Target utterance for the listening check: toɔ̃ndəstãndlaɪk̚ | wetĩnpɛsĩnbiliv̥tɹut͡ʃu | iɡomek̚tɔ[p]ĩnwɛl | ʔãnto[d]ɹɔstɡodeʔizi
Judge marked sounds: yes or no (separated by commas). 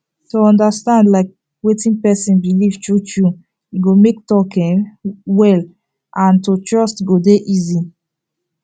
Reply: no, no